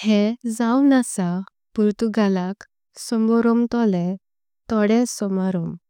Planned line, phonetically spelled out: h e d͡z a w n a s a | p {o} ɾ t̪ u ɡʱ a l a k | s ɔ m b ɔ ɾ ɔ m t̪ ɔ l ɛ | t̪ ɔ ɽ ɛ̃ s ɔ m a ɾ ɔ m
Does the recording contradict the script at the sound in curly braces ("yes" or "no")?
yes